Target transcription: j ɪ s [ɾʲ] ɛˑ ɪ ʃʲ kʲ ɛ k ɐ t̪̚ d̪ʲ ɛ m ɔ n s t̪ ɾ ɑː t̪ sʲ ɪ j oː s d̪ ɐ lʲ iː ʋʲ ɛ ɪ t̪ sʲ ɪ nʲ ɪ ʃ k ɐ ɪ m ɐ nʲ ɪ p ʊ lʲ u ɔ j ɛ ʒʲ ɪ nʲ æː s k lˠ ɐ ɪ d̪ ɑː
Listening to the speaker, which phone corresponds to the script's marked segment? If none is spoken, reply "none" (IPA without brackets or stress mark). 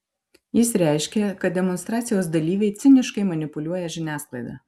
ɾʲ